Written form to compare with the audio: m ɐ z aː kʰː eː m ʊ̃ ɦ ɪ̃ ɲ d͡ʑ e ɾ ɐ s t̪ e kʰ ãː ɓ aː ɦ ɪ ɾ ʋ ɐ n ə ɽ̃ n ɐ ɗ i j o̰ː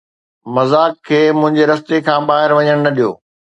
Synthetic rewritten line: m ɐ z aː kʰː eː m ʊ̃ ɦ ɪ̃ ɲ d͡ʑ e ɾ ɐ s t̪ e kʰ ãː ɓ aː ɦ ɪ ɾ ʋ ɐ ɲ ə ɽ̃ n ɐ ɗ i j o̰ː